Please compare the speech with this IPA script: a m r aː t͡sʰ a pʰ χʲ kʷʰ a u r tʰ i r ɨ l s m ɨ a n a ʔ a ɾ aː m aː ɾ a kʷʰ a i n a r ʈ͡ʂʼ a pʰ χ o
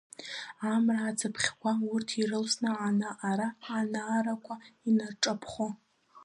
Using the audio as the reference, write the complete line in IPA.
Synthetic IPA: a m r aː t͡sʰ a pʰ χʲ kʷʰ a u r tʰ i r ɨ l s n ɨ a n a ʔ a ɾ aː n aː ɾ a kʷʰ a i n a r ʈ͡ʂʼ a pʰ χ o

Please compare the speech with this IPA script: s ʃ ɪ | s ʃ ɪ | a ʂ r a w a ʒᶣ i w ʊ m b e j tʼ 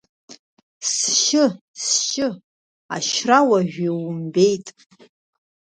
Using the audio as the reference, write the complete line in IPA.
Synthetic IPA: s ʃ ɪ | s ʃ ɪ | a ʃ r a w a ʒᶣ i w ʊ m b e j tʼ

